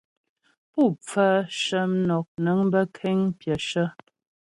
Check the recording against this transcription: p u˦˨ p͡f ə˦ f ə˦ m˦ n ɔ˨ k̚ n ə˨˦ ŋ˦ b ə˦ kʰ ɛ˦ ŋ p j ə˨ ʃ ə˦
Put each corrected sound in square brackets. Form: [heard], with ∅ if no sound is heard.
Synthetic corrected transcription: p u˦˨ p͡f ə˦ [ʃ] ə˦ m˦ n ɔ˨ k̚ n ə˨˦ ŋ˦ b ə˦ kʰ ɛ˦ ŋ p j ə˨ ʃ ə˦